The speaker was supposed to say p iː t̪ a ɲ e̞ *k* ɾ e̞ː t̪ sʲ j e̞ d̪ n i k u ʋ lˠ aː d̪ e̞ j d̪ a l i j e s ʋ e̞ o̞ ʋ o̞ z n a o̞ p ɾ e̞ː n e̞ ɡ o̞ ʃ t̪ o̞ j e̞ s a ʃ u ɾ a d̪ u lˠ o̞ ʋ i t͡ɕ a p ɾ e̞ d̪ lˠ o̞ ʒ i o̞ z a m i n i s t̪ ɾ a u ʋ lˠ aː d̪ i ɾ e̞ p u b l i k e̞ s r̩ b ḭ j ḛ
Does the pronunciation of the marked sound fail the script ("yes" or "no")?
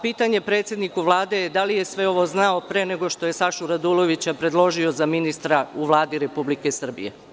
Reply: yes